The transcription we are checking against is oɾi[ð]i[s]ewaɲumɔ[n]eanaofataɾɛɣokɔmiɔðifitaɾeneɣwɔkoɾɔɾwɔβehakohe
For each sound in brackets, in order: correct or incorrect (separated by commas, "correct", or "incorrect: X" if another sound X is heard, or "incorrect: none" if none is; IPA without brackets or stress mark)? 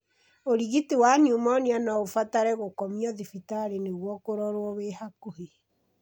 incorrect: ɣ, incorrect: t, correct